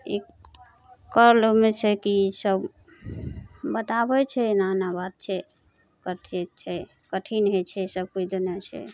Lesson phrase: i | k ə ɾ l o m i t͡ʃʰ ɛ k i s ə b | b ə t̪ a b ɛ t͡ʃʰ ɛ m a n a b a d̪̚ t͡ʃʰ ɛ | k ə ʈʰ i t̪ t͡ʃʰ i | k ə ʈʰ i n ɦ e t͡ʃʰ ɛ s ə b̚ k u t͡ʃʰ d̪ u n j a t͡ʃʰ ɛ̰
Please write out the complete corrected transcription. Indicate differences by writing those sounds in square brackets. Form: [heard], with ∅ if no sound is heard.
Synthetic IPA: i | k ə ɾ l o m [e] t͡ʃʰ ɛ k i s ə b | b ə t̪ a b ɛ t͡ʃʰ ɛ [n] a n a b a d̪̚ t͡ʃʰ ɛ | k ə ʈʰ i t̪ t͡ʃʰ [ɛ] | k ə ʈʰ i n ɦ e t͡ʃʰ ɛ s ə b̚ k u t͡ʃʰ d̪ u n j a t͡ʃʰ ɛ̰